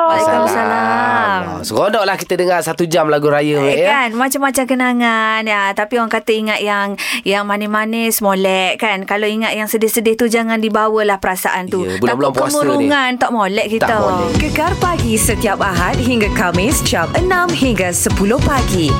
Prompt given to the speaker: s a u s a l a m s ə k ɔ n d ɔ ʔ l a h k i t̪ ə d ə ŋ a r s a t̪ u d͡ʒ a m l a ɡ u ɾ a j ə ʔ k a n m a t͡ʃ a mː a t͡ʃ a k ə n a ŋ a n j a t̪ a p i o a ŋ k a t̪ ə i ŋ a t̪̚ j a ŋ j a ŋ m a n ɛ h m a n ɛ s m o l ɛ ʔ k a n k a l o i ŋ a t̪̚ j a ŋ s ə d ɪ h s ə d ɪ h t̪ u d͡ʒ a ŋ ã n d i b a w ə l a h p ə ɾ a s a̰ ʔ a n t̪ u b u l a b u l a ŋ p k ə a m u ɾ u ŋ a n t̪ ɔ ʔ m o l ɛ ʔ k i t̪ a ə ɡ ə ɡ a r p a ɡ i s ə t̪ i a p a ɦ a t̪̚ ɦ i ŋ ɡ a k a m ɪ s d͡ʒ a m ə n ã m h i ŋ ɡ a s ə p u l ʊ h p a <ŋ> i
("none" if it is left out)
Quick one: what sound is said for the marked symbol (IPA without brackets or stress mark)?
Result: ɡ